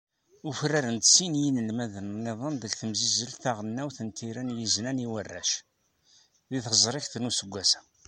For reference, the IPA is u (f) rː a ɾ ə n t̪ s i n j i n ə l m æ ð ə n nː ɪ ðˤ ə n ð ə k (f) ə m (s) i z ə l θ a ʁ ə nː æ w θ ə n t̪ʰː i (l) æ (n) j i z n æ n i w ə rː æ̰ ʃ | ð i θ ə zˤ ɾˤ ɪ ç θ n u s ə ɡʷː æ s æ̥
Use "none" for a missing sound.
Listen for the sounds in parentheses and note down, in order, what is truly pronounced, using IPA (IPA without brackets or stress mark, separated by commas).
f, θ, z, ɾ, n